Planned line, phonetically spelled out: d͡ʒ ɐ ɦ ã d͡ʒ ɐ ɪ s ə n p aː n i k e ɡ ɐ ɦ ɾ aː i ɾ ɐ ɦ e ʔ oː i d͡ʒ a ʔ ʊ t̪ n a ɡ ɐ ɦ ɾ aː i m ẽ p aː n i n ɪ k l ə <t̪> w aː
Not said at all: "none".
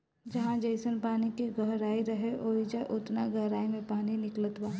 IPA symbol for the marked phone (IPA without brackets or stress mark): t̪